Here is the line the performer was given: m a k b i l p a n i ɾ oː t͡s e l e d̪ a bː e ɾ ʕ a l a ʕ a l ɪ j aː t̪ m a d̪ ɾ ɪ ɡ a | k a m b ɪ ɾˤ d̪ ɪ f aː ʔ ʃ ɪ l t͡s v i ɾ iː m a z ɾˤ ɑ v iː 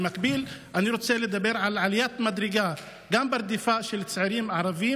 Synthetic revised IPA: m a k b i l ʔ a n i ɾ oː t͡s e l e d̪ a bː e ɾ ʕ a l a ʕ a l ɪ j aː t̪ m a d̪ ɾ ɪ ɡ a | ɡ a m b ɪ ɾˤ d̪ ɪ f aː ʔ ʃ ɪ l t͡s ʕ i ɾ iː m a ʕ ɾˤ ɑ v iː

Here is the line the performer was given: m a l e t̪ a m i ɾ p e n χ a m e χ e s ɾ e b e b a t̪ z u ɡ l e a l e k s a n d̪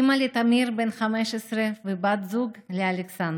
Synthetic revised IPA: m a l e t̪ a m i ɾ b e n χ a m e ʃ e s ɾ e v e b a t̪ z u ɡ l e a l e k s a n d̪

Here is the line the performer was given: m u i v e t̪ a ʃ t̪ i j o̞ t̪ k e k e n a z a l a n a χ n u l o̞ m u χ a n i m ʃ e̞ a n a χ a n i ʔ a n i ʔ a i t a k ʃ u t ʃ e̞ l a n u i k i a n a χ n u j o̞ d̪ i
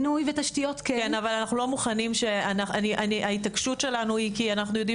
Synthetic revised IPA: n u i v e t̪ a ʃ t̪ i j o̞ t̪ k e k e n a v a l a n a χ n u l o̞ m u χ a n i m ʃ e̞ a n a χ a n i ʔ a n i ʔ a i t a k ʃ u t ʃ e̞ l a n u i k i a n a χ n u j o̞ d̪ i

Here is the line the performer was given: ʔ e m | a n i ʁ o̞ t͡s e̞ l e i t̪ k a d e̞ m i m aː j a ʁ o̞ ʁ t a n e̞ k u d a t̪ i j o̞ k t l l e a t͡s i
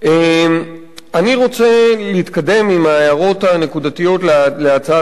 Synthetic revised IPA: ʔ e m | a n i ʁ o̞ t͡s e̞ l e i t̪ k a d e̞ m i m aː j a ʁ o̞ t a n e̞ k u d a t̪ i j o̞ t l l e a t͡s a

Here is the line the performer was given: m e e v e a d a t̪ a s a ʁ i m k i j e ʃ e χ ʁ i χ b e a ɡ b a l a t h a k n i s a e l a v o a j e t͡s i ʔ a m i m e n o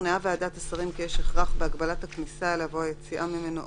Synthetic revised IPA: n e a v e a d a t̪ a s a ʁ i m k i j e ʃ e χ ʁ a χ b e a ɡ b a l a t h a k n i s a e l a v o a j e t͡s i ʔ a m i m e n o

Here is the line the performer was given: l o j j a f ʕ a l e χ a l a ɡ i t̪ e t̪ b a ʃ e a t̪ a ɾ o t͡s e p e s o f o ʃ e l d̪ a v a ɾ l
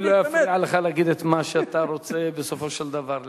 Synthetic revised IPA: l o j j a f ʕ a l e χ a l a ɡ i d̪ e t̪ m a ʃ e a t̪ a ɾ o t͡s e b e s o f o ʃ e l d̪ a v a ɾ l

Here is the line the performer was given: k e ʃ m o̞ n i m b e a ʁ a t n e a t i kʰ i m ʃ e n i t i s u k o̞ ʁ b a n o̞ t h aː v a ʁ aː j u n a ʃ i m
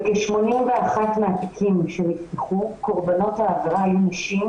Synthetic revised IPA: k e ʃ m o̞ n i m v e a χ a t m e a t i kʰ i m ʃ e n i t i χ u k o̞ ʁ b a n o̞ t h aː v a ʁ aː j u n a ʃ i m

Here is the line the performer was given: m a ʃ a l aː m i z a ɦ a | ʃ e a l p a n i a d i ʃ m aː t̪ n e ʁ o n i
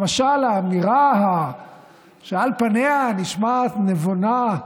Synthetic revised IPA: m a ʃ a l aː m i ʁ a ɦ a | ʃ e a l p a n e a n i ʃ m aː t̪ n e v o n a

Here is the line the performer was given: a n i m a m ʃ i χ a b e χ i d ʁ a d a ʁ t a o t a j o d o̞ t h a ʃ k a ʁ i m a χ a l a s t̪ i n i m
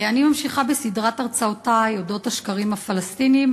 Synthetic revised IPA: a n i m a m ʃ i χ a b e s i d ʁ a t a ʁ t͡s a o t a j o d o̞ t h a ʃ k a ʁ i m a f a l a s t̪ i n i m

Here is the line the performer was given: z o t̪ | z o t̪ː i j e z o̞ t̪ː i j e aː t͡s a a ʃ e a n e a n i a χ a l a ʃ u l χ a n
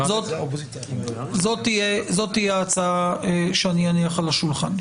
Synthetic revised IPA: z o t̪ | z o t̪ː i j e z o̞ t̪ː i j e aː t͡s a a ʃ e a n i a n i a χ a l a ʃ u l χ a n

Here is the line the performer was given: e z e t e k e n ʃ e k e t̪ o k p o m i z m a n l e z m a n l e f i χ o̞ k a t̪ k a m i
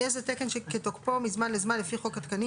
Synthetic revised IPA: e z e t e k e n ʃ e k e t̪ o k p o m i z m a n l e z m a n l e f i χ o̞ k a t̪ k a n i

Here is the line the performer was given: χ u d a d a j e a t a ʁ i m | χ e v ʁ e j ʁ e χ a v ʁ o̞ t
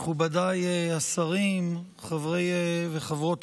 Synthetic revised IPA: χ u b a d a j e a s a ʁ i m | χ a v ʁ e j v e χ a v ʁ o̞ t

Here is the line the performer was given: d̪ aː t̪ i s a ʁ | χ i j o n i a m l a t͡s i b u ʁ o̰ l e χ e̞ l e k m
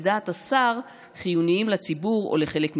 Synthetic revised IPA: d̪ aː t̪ a s a ʁ | χ i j u n i i m l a t͡s i b u ʁ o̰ l e χ e̞ l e k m

